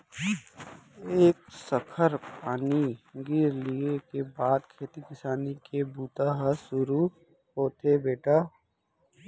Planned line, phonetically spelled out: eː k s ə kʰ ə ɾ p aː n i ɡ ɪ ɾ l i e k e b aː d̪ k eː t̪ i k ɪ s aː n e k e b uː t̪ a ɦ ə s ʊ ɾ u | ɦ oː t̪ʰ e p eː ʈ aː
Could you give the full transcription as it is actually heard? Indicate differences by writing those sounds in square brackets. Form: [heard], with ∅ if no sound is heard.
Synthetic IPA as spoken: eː k s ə kʰ ə ɾ p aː n i ɡ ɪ ɾ l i e k e b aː d̪ [kʰ] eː t̪ i k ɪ s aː n [i] k e b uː t̪ a ɦ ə s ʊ ɾ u | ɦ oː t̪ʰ e [b] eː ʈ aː